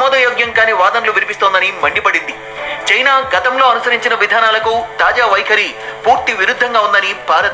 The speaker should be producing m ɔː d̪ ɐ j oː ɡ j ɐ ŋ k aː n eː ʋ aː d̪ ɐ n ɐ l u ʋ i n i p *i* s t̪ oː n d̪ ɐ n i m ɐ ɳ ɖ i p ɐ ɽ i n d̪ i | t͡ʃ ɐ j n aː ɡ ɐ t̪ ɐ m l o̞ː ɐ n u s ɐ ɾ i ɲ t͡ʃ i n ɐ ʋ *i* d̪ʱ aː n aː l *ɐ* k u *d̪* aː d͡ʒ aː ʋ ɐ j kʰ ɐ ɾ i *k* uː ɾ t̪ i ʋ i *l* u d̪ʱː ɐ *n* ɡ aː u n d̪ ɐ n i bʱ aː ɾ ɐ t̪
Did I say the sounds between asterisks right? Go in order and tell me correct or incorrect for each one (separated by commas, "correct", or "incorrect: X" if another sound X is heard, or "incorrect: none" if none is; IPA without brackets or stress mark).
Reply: correct, correct, correct, incorrect: t̪, incorrect: p, incorrect: ɾ, incorrect: ŋ